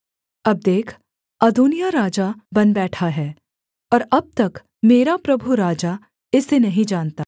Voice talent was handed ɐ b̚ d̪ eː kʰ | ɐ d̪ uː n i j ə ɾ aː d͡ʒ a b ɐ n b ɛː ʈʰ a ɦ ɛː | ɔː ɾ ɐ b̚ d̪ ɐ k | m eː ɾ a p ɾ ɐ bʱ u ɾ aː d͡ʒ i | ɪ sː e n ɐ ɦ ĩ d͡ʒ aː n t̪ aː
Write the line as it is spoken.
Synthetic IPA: ɐ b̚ d̪ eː kʰ | ɐ d̪ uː n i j a ɾ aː d͡ʒ a b ɐ n b ɛː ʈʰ a ɦ ɛː | ɔː ɾ ɐ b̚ t̪ ɐ k | m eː ɾ a p ɾ ɐ bʱ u ɾ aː d͡ʒ a | ɪ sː e n ɐ ɦ ĩ d͡ʒ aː n t̪ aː

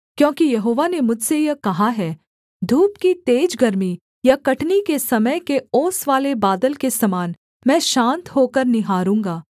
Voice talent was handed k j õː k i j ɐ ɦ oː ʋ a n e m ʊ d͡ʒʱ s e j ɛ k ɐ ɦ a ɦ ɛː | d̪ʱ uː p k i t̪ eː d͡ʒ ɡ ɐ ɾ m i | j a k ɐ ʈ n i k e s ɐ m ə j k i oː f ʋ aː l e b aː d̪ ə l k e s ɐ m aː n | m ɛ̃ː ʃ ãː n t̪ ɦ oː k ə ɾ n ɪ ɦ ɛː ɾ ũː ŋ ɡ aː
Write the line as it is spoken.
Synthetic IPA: k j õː k i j ɐ ɦ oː ʋ a n e m ʊ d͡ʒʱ s e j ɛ k ɐ ɦ a ɦ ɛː | d̪ʱ uː p k i t̪ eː d͡ʒ ɡ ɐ ɾ m i | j a k ɐ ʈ n i k e s ɐ m ə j k e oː s ʋ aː l e b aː d̪ ə l k e s ɐ m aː n | m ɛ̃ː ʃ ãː n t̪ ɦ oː k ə ɾ n ɪ ɦ aː ɾ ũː ŋ ɡ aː

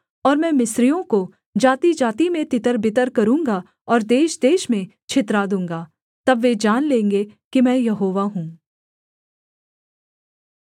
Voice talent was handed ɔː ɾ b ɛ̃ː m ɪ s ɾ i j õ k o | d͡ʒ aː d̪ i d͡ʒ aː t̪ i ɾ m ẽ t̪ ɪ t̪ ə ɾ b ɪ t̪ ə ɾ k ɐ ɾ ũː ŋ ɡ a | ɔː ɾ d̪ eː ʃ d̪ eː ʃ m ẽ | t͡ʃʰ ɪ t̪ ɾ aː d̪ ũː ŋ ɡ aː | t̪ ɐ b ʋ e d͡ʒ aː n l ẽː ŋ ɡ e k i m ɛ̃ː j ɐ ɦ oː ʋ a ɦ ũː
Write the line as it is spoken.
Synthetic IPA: ɔː ɾ m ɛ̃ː m ɪ s ɾ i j õ k o | d͡ʒ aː t̪ i d͡ʒ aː t̪ i m ẽ t̪ ɪ t̪ ə ɾ b ɪ t̪ ə ɾ k ɐ ɾ ũː ŋ ɡ a | ɔː ɾ d̪ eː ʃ d̪ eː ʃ m ẽ | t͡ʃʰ ɪ t̪ ɾ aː d̪ ũː ŋ ɡ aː | t̪ ɐ b ʋ e d͡ʒ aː n l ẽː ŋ ɡ e k i m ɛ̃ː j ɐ ɦ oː ʋ a ɦ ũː

